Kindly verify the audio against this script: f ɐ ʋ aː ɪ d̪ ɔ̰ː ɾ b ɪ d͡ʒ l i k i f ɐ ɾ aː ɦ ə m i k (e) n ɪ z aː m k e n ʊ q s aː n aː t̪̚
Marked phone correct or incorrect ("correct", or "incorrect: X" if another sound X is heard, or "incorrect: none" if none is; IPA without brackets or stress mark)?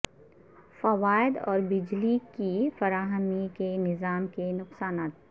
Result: correct